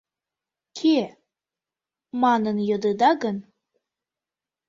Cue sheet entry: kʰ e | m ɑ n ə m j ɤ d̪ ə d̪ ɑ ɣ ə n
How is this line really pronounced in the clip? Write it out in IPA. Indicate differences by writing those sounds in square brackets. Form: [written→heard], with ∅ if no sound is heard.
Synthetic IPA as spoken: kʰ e | m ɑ n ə [m→n] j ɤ d̪ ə d̪ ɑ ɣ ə n